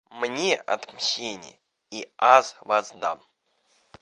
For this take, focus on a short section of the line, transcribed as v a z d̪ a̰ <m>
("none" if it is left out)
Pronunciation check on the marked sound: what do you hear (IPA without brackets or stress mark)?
m